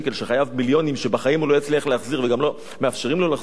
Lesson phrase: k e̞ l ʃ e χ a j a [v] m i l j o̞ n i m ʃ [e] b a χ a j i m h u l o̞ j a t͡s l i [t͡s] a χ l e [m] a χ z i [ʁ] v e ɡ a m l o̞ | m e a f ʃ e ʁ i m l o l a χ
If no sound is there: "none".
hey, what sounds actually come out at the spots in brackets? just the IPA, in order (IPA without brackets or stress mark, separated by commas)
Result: v, e, none, none, ʁ